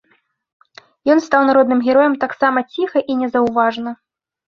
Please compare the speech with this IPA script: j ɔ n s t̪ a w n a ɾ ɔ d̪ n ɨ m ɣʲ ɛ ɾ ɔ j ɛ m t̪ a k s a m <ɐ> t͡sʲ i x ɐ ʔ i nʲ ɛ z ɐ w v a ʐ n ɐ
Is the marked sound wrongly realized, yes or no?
no